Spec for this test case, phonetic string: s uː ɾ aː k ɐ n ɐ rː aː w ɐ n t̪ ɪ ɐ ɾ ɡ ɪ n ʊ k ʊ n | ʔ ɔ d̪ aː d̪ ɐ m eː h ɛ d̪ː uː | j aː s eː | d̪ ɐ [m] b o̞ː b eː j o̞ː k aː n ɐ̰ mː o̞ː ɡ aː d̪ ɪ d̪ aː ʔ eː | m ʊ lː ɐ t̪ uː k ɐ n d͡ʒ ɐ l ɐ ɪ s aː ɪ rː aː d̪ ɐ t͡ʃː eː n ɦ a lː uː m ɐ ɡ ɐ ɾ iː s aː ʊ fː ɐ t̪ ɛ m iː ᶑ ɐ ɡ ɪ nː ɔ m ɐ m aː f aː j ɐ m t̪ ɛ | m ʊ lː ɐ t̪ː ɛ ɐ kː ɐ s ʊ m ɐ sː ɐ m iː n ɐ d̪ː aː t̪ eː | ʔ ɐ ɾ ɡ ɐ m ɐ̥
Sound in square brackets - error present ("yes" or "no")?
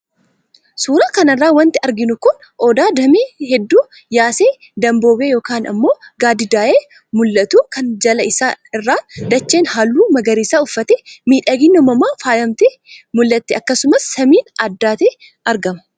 no